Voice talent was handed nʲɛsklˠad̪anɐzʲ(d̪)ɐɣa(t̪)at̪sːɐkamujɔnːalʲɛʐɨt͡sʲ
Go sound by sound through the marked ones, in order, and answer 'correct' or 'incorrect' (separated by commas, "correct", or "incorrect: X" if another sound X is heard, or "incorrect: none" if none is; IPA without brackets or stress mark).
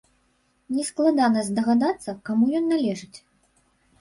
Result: correct, incorrect: d̪